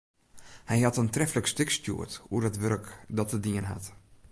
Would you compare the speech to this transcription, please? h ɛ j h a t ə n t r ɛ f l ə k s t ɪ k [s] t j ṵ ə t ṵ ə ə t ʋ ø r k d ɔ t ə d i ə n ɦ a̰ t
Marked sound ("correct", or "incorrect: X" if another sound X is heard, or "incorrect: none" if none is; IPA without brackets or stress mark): correct